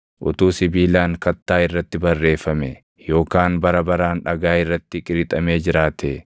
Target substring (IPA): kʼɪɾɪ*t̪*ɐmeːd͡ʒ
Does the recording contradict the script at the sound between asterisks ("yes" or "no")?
yes